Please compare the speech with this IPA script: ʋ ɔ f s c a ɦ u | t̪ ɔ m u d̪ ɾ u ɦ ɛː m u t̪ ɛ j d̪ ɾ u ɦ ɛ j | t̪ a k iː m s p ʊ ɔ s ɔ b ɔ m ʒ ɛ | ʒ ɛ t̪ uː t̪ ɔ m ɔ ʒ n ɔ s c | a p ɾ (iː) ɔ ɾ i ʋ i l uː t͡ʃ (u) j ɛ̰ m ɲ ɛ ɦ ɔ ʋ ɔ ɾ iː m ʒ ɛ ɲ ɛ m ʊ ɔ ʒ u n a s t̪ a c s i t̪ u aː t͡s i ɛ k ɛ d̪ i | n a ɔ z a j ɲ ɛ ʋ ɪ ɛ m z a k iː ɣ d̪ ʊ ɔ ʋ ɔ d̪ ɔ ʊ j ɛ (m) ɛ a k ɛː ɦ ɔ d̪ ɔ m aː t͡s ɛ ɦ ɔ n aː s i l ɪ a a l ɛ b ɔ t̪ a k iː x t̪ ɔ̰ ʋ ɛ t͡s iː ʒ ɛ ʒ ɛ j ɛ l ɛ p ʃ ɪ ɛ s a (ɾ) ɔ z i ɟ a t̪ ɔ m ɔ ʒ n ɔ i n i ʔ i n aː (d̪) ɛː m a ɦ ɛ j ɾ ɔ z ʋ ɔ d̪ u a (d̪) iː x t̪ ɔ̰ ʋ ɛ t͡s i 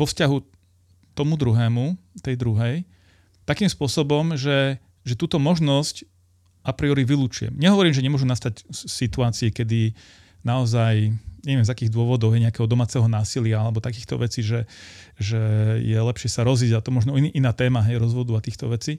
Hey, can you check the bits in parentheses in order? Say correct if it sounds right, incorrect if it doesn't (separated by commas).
incorrect, correct, incorrect, correct, incorrect, incorrect